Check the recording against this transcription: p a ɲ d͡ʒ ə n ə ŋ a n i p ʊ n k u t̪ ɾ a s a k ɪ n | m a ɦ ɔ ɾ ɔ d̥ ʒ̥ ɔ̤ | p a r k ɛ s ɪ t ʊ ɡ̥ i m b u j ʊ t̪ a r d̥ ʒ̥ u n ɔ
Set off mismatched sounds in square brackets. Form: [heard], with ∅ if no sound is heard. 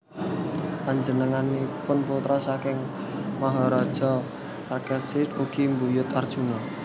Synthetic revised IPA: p a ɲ d͡ʒ ə n ə ŋ a n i p ʊ n [p] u t̪ ɾ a s a k ɪ [ŋ] | m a ɦ ɔ ɾ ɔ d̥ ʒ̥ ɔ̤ | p a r k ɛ s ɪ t [u] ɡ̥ i m b u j ʊ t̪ a r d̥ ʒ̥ u n ɔ